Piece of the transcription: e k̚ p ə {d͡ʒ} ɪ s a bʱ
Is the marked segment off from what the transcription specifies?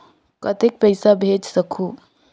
yes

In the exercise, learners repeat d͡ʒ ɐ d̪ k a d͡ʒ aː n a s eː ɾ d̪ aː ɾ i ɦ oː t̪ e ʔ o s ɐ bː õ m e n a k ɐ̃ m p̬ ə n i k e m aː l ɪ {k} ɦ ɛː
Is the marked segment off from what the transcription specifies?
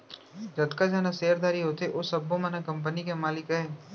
no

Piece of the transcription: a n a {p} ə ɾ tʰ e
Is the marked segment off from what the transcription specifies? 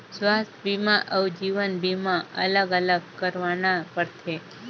no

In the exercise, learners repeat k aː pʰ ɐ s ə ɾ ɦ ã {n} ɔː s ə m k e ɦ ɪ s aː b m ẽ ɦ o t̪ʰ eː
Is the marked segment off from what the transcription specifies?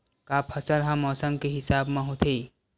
yes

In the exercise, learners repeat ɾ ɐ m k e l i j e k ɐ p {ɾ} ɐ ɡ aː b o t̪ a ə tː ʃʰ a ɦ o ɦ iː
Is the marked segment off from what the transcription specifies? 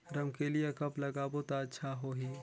yes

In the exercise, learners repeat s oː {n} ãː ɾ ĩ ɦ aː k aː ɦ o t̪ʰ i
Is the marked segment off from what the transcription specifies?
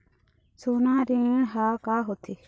no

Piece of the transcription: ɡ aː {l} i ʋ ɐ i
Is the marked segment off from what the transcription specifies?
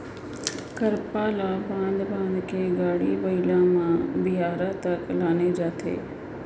yes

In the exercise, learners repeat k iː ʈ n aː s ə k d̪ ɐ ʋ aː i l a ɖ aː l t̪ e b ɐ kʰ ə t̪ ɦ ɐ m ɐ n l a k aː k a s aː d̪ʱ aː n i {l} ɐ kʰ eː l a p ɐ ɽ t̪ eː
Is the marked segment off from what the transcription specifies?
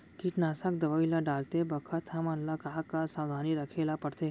yes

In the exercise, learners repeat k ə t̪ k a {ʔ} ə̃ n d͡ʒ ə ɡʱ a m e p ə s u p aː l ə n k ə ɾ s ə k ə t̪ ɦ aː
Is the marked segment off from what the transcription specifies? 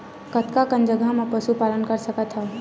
yes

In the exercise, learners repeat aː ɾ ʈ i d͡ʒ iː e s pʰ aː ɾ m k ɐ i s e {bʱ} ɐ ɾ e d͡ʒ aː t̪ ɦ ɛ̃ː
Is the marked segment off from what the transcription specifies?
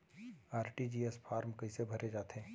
no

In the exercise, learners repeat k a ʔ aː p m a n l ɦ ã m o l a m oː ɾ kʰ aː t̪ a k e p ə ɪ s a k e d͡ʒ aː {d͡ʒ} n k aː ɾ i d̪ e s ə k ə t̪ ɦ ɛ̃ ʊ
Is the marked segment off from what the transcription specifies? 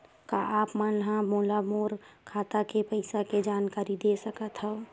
yes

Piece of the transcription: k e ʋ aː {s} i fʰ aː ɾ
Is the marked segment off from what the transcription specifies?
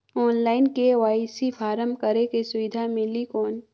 no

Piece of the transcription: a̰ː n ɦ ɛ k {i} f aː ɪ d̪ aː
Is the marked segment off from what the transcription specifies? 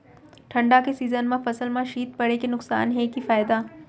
no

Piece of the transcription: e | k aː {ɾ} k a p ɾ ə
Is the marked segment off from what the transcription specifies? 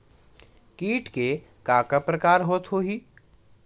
yes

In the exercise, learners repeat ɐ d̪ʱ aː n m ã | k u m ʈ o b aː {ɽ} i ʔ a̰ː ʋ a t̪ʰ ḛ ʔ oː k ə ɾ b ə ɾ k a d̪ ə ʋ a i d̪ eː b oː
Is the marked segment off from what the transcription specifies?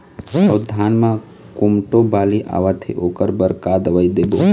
yes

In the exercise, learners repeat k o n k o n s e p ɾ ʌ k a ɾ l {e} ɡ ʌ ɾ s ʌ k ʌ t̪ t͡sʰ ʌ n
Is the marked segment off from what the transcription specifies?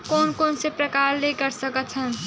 no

